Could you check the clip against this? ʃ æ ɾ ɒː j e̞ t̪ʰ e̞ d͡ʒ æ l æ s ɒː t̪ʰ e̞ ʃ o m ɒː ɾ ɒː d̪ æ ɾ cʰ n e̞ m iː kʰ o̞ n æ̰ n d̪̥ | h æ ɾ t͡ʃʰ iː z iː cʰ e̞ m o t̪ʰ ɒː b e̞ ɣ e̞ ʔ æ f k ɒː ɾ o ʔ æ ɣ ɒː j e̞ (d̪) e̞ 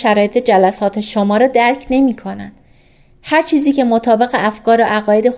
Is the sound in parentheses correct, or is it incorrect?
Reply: correct